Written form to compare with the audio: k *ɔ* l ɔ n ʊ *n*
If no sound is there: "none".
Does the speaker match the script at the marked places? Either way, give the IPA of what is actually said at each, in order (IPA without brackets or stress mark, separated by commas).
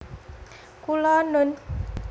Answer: u, n